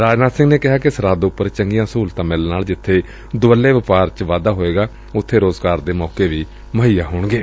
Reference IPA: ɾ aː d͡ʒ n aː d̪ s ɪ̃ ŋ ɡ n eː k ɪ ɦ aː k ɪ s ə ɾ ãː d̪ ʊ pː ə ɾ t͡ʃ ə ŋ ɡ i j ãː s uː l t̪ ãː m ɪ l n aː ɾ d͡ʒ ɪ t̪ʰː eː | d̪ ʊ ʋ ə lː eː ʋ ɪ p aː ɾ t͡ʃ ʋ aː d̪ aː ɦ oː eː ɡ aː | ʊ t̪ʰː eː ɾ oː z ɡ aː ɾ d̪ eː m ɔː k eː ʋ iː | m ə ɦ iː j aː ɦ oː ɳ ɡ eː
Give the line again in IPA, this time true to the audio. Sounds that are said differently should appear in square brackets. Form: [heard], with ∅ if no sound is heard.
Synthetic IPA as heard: ɾ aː d͡ʒ n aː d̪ s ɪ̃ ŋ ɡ n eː k ɪ ɦ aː k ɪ s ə ɾ [aː] d̪ ʊ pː ə ɾ t͡ʃ ə ŋ ɡ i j ãː s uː l t̪ ãː m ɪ l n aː [l] d͡ʒ ɪ t̪ʰː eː | d̪ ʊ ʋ ə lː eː ʋ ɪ p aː ɾ t͡ʃ ʋ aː d̪ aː ɦ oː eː ɡ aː | ʊ t̪ʰː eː ɾ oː z ɡ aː ɾ d̪ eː m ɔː k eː ʋ iː | m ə ɦ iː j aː ɦ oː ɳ ɡ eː